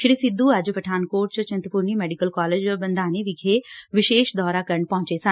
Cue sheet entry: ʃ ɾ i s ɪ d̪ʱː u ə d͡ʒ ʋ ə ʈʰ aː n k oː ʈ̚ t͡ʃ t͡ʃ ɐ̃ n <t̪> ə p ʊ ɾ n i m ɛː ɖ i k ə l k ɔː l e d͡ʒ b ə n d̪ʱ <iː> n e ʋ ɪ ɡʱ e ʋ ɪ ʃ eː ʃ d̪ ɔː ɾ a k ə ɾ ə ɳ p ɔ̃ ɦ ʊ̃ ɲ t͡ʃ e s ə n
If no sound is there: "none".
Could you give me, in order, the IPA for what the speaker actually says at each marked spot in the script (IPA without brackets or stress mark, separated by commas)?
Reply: t̪, aː